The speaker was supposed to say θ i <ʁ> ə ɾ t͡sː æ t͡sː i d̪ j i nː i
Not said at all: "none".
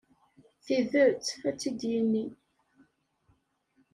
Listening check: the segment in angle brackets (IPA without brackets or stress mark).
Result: ð